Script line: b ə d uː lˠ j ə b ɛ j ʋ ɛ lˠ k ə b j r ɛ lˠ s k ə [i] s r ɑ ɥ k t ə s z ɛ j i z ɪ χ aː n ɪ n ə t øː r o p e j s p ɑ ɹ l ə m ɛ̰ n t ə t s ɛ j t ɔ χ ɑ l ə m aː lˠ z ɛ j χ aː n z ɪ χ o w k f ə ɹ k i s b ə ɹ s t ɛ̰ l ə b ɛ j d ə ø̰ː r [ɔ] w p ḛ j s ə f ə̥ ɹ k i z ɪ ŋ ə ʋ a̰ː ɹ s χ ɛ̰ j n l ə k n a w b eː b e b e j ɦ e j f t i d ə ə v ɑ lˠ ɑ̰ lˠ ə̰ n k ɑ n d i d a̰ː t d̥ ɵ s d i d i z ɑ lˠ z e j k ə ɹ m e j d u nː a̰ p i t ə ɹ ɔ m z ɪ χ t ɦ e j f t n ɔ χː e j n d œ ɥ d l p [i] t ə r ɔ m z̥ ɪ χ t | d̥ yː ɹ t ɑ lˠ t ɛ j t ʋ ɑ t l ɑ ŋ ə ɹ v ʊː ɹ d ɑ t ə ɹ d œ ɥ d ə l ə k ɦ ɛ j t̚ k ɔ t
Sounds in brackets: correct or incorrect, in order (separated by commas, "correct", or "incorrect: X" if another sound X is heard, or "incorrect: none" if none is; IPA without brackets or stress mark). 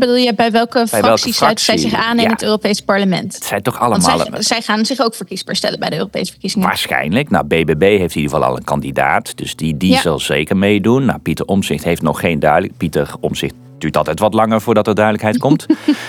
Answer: correct, incorrect: o, correct